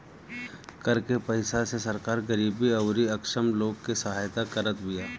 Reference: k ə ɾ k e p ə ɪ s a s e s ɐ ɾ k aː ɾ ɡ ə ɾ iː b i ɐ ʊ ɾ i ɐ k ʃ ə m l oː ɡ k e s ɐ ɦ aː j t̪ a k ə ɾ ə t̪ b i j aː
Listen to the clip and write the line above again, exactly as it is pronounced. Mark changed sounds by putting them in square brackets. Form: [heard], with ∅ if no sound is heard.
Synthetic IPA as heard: k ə ɾ k e p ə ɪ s a s e s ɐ ɾ k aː ɾ ɡ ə ɾ iː b i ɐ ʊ ɾ i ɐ k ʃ ə m l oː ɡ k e s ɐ ɦ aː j t̪ a k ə ɾ ə t̪ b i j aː